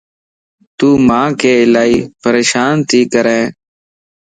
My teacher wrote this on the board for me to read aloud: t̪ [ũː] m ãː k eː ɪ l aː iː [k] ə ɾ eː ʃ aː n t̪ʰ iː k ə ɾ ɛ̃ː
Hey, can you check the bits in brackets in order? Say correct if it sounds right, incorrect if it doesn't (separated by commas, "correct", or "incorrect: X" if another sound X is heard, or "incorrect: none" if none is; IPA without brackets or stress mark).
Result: incorrect: uː, incorrect: p